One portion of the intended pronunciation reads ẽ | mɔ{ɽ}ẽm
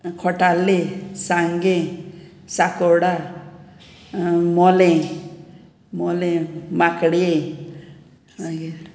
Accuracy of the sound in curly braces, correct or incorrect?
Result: incorrect